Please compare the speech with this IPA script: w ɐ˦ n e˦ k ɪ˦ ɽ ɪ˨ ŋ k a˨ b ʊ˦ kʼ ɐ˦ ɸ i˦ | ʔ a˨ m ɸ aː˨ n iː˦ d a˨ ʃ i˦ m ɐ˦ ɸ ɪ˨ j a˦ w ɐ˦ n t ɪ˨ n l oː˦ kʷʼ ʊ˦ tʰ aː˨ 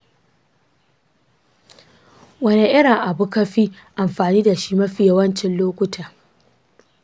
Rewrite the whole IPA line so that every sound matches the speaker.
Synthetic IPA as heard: w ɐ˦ n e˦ ʔ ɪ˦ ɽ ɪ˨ ŋ ʔ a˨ b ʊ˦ k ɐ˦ ɸ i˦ | ʔ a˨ m ɸ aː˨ n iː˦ d a˨ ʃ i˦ m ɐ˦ ɸ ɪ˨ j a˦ w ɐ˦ n t͡ʃ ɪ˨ n l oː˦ kʷ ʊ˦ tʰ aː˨